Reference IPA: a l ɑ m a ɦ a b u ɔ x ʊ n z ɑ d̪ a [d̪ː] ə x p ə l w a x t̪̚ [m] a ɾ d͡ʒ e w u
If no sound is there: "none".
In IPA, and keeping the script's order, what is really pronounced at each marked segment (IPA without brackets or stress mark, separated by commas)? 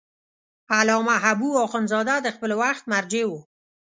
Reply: d̪, m